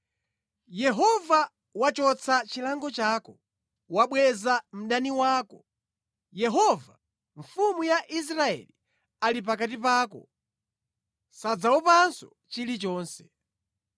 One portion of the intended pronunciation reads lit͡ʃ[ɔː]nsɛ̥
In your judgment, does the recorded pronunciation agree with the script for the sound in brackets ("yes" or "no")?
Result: yes